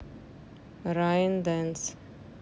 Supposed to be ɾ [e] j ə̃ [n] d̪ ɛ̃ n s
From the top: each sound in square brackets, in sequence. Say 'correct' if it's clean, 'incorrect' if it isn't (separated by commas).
incorrect, correct